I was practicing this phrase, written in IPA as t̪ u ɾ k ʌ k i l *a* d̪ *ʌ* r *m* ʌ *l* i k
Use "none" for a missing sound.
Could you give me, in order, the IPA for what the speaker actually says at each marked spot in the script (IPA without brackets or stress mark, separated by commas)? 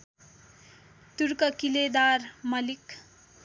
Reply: e, a, m, l